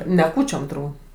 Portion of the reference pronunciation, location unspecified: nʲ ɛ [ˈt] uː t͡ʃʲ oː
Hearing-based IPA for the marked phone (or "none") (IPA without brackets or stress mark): k